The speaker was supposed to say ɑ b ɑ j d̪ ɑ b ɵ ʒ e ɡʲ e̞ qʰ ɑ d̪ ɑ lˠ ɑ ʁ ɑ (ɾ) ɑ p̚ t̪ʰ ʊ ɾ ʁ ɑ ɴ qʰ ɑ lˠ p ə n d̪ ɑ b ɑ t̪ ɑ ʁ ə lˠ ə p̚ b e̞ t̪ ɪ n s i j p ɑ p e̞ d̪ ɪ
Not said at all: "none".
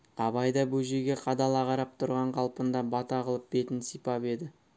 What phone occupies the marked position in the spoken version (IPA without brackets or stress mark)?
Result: ɾ